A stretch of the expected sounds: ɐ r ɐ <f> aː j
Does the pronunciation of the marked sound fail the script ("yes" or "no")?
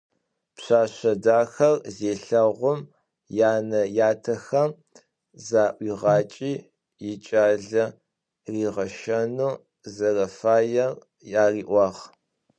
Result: no